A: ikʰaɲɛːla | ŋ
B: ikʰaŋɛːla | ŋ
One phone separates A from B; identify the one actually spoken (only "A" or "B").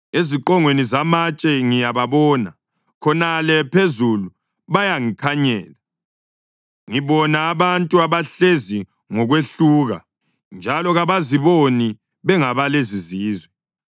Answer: A